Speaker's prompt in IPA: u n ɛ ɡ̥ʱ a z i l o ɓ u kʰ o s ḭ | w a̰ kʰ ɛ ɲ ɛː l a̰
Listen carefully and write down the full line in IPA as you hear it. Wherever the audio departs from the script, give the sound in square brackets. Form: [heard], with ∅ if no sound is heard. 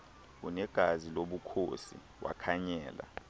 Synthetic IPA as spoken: u n ɛ ɡ̥ʱ a z i l o ɓ u kʰ o s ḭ | w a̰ kʰ [a] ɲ ɛː l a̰